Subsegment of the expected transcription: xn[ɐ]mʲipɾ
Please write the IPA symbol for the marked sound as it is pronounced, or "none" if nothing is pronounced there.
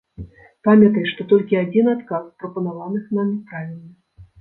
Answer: a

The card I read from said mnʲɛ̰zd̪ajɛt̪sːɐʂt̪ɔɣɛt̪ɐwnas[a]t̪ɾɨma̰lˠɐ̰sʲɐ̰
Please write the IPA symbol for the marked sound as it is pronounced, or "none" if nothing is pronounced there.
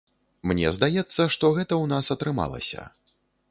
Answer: ɐ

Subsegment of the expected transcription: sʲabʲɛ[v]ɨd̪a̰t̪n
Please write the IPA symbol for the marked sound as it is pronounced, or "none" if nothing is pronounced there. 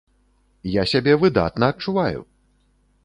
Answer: v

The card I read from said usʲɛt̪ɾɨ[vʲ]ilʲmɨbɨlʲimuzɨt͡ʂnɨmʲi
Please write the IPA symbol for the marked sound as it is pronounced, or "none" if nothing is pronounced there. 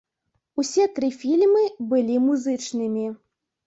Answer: fʲ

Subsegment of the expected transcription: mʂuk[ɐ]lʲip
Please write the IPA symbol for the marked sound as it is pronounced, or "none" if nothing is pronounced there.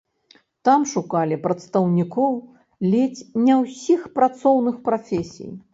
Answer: a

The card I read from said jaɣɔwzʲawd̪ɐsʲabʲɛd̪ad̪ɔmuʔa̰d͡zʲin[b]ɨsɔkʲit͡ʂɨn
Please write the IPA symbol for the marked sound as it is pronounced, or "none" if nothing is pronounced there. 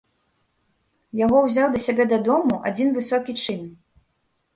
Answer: v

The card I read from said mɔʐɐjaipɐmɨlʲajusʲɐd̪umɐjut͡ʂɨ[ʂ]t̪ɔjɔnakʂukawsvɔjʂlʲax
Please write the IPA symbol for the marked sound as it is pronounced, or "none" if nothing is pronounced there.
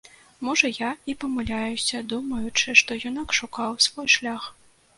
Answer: ʂ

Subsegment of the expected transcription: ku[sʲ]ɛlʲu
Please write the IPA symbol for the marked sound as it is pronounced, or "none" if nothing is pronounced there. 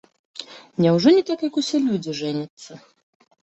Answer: sʲ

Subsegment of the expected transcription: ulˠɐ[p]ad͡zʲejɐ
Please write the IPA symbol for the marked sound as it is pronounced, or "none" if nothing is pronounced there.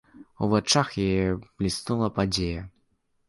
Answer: p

